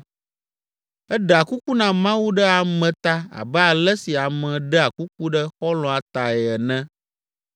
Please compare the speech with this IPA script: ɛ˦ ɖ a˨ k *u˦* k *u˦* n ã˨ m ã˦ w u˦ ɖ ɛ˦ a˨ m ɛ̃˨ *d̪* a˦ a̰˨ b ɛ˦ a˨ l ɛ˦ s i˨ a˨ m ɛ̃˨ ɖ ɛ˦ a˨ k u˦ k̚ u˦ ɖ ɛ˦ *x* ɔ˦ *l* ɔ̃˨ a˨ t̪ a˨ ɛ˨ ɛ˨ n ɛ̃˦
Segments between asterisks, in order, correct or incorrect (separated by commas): correct, correct, incorrect, correct, correct